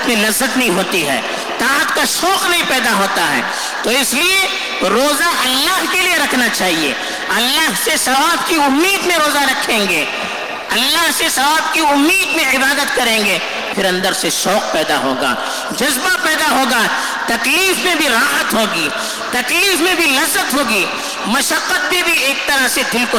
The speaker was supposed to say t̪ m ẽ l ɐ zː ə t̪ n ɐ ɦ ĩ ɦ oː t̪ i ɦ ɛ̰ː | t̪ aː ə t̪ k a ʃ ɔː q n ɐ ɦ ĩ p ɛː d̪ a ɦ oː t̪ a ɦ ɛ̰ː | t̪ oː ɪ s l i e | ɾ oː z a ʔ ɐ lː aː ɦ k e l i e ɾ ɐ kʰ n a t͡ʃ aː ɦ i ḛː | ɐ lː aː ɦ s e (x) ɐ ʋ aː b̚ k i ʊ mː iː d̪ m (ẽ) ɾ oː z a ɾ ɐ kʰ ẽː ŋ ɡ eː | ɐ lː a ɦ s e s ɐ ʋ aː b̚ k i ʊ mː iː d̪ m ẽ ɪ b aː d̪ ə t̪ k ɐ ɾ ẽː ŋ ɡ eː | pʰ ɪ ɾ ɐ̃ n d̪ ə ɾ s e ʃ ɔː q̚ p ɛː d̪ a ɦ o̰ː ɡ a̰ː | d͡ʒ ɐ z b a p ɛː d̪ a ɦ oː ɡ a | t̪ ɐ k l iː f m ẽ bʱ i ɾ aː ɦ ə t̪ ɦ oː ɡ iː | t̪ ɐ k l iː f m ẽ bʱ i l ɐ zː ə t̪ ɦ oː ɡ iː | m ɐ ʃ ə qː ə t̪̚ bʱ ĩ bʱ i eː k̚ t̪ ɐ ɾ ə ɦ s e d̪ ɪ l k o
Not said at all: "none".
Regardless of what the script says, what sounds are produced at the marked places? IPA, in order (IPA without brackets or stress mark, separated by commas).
s, ẽ